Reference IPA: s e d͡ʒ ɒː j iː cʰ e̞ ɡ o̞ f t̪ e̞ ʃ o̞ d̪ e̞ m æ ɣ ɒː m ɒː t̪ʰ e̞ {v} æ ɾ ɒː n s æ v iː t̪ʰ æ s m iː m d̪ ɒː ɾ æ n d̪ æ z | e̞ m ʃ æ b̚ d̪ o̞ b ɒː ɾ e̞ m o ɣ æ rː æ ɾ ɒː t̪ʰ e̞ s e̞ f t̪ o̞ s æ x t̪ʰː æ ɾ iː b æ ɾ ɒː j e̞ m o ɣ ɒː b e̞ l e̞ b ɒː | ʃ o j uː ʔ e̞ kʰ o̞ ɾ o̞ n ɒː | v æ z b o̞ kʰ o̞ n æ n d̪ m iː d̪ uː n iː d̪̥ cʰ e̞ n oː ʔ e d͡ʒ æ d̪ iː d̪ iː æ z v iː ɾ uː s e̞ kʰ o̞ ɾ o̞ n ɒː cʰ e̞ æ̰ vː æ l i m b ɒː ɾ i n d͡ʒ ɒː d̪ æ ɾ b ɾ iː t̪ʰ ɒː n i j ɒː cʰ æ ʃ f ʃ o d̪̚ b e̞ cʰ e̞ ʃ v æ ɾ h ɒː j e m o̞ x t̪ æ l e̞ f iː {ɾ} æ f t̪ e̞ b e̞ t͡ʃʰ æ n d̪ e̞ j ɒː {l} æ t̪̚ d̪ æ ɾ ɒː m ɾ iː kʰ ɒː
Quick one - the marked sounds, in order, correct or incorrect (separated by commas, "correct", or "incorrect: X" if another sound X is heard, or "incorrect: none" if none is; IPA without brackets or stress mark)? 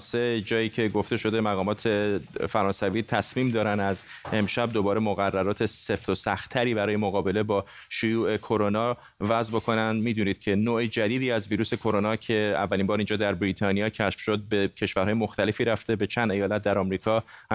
incorrect: f, correct, correct